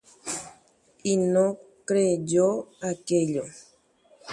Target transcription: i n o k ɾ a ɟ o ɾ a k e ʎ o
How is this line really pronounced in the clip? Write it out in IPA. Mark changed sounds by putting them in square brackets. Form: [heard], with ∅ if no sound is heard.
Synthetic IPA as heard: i n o k ɾ [e] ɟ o [∅] a k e ʎ o